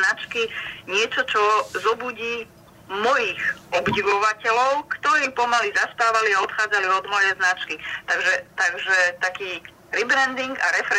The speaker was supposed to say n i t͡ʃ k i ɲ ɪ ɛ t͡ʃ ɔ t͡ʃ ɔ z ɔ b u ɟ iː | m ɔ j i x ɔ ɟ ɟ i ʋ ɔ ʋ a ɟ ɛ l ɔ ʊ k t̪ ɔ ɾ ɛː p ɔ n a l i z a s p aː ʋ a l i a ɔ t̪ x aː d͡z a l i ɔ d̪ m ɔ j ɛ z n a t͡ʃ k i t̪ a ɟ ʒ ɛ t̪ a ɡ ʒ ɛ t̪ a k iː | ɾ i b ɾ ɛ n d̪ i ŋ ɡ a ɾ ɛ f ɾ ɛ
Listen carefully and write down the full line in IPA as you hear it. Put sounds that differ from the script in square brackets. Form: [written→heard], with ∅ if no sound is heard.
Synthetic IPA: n [i→a] t͡ʃ k i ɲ ɪ ɛ t͡ʃ ɔ t͡ʃ ɔ z ɔ b u ɟ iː | m ɔ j i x ɔ [ɟ→b] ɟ i ʋ ɔ ʋ a [ɟ→c] ɛ l ɔ ʊ k t̪ ɔ ɾ [ɛː→iː] p ɔ [n→m] a l i z a s p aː ʋ a l i a ɔ t̪ x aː d͡z a l i ɔ d̪ m ɔ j ɛ z n a t͡ʃ k i t̪ a [ɟ→ɡ] ʒ ɛ t̪ a ɡ ʒ ɛ t̪ a k iː | ɾ i b ɾ ɛ n d̪ i ŋ ɡ a ɾ ɛ f ɾ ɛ